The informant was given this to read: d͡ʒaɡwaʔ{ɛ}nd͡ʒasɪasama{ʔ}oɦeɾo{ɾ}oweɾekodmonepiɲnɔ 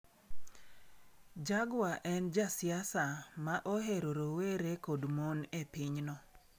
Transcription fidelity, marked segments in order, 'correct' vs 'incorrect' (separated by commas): correct, correct, correct